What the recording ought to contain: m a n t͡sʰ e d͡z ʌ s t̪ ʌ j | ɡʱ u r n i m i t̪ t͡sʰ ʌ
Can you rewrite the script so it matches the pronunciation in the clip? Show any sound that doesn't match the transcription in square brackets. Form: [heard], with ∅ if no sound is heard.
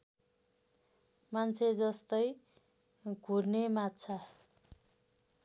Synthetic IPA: m a n t͡sʰ e d͡z ʌ s t̪ ʌ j | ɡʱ u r n [e] m [a] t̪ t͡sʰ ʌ